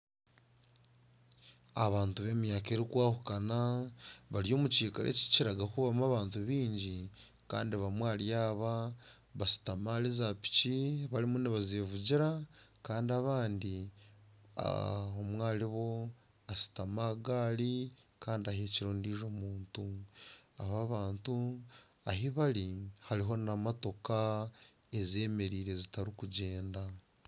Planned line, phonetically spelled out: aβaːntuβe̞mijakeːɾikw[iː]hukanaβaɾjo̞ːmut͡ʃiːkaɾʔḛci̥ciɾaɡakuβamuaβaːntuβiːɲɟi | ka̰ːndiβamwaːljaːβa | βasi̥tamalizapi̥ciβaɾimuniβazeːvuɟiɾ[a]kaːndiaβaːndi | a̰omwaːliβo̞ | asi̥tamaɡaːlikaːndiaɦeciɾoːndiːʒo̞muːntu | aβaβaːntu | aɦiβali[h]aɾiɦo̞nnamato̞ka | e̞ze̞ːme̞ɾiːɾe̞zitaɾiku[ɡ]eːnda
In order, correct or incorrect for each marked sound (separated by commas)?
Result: incorrect, correct, correct, incorrect